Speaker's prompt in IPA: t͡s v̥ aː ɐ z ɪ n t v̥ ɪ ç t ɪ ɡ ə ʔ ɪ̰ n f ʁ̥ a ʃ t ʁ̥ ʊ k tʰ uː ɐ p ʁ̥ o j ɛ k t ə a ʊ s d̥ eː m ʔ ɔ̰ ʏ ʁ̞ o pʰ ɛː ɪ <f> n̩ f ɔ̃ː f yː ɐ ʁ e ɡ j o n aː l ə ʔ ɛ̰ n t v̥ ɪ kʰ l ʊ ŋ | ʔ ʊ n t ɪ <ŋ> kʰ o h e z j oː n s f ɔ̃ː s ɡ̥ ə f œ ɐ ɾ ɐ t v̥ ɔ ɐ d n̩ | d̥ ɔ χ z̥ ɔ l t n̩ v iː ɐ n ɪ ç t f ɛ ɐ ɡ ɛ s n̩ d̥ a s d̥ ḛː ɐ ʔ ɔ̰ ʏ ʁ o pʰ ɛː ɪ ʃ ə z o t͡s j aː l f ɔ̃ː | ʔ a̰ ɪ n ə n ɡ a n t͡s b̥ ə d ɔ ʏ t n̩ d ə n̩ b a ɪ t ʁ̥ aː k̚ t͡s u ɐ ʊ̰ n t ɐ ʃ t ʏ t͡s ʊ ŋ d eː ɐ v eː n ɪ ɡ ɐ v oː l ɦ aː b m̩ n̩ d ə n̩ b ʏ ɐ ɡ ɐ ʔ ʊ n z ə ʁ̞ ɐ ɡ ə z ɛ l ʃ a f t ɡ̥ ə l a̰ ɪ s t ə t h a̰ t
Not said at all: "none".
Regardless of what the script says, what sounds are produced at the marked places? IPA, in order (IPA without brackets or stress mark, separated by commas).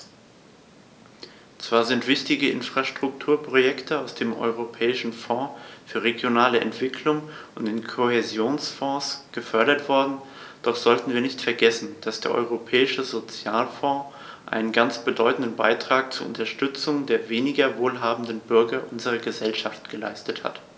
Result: ʃ, n